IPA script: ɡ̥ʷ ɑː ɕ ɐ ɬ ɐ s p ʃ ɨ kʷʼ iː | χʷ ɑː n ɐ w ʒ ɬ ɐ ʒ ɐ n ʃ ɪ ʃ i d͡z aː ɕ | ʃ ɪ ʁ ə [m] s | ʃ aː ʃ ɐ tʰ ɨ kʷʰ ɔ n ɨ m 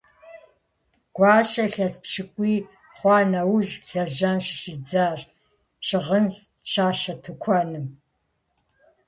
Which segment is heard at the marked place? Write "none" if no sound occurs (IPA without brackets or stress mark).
n